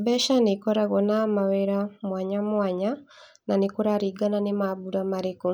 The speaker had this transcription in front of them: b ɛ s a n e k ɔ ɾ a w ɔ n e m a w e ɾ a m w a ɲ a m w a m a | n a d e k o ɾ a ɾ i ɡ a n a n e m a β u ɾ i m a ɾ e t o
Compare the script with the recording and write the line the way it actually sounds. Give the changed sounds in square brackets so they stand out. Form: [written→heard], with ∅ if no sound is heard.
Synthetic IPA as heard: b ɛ [s→ʃ] a n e k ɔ ɾ a [w→ɣ] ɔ n [e→a] m a w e ɾ a m w a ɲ a m w a [m→ɲ] a | n a [d→n] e k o ɾ a ɾ i ɡ a n a n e m a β u ɾ [i→a] m a ɾ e [t→k] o